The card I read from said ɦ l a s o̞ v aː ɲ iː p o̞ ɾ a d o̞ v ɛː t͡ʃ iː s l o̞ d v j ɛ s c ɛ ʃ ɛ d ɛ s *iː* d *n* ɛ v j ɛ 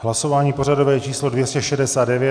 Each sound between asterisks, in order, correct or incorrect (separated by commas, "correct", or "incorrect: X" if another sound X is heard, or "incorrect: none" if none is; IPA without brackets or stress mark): incorrect: aː, incorrect: d